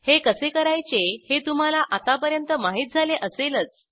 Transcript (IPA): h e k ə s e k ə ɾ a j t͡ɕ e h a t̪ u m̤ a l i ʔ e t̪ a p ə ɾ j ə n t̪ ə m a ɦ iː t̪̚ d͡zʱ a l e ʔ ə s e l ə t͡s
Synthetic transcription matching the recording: h e k ə s e k ə ɾ a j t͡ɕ e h e t̪ u m̤ a l a ʔ a t̪ a p ə ɾ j ə n t̪ ə m a ɦ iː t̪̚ d͡zʱ a l e ʔ ə s e l ə t͡s

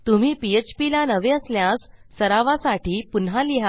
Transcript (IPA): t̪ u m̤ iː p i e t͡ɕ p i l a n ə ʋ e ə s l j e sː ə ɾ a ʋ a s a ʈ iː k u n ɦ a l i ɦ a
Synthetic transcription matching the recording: t̪ u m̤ iː p i e t͡ɕ p i l a n ə ʋ e ə s l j a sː ə ɾ a ʋ a s a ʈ iː p u n ɦ a l i ɦ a

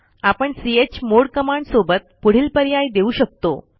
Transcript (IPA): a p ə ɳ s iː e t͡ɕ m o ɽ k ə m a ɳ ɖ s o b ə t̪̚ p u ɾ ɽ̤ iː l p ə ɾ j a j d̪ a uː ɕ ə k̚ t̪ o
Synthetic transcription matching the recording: a p ə ɳ s i e t͡ɕ m o ɽ k ə m a ɳ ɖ s o b ə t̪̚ p u ɽ̤ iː l p ə ɾ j a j d̪ e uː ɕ ə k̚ t̪ o

